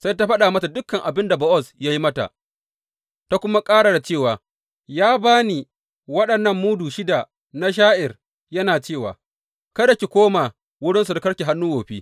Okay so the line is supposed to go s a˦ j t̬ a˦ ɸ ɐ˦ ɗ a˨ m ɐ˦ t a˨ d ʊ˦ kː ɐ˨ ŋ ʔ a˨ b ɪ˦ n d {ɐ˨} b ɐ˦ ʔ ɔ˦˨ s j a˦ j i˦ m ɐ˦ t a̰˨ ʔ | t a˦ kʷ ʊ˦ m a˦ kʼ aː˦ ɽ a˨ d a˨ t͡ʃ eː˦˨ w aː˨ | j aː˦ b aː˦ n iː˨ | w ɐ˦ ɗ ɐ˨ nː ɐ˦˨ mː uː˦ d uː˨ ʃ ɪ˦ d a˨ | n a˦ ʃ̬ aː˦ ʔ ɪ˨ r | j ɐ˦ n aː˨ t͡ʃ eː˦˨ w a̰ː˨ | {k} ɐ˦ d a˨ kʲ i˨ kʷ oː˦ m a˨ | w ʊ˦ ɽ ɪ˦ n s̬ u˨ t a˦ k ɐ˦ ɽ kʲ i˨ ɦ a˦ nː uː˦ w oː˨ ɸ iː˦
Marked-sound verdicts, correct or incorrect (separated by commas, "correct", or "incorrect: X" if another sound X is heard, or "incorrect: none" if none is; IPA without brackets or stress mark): incorrect: a˨, correct